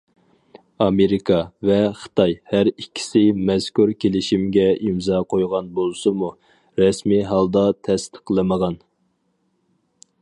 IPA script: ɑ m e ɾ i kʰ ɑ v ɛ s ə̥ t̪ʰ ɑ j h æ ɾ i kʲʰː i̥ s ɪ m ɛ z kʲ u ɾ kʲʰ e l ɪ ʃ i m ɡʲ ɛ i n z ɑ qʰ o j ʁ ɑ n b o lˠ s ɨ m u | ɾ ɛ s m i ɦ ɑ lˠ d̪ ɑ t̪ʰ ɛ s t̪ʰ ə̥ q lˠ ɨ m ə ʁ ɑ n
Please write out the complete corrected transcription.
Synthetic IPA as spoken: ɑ m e ɾ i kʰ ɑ v ɛ χ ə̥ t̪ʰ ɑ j h æ ɾ i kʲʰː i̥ s ɪ m ɛ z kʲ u ɾ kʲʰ e l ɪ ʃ i m ɡʲ ɛ i m z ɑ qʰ o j ʁ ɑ n b o lˠ s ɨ m u | ɾ ɛ s m i ɦ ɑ lˠ d̪ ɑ t̪ʰ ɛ s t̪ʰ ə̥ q lˠ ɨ m ə ʁ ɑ n